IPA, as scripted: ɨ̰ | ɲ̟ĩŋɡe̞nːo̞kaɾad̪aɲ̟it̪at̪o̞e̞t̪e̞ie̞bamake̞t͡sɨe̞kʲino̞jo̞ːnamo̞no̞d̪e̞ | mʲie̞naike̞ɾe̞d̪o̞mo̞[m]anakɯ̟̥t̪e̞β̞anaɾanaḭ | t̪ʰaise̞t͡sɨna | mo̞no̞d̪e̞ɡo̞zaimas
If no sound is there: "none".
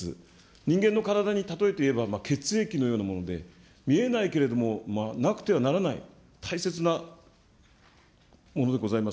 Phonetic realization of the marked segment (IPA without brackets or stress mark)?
m